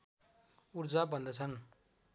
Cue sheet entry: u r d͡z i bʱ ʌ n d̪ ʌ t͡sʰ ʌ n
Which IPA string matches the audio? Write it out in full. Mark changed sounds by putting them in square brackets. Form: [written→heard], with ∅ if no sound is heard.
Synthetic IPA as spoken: u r d͡z [i→a] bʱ ʌ n d̪ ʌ t͡sʰ ʌ n